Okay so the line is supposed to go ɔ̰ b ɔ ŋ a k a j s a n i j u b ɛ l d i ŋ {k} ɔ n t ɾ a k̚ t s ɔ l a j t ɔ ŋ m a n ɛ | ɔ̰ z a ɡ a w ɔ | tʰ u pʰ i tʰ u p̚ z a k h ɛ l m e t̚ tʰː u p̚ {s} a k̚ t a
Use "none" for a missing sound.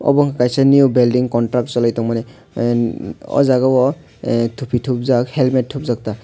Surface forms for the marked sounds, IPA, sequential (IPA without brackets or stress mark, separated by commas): k, z